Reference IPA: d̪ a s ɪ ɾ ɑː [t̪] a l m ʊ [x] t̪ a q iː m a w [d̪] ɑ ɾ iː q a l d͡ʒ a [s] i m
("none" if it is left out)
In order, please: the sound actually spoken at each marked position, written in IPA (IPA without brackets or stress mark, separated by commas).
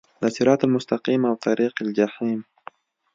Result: t̪, s, t̪, ħ